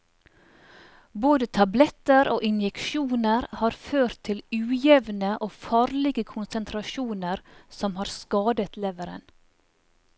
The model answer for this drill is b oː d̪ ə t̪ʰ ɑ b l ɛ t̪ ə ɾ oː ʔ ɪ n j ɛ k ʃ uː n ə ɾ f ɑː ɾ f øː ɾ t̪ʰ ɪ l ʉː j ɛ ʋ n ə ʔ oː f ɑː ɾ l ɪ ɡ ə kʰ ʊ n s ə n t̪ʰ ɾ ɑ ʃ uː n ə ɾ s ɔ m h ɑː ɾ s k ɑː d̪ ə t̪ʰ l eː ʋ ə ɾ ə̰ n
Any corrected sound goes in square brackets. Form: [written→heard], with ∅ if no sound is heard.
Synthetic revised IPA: b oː d̪ ə t̪ʰ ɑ b l ɛ t̪ ə ɾ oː ʔ ɪ n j ɛ k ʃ uː n ə ɾ [f→h] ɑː ɾ f øː ɾ t̪ʰ ɪ l ʉː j ɛ ʋ n ə ʔ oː f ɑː ɾ l ɪ ɡ ə kʰ ʊ n s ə n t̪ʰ ɾ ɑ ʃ uː n ə ɾ s ɔ m h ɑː ɾ s k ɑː d̪ ə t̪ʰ l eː ʋ ə ɾ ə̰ n